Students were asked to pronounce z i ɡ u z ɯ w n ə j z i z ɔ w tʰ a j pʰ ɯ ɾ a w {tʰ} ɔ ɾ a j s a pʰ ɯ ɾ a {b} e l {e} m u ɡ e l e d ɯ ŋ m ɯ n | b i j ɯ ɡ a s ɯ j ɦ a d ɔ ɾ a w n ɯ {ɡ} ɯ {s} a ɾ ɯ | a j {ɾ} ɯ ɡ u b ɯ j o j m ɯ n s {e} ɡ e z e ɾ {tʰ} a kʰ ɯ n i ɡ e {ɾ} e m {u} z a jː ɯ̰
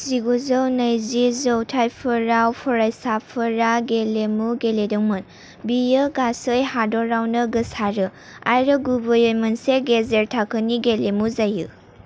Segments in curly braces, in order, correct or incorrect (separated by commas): incorrect, incorrect, correct, correct, correct, correct, correct, correct, incorrect, correct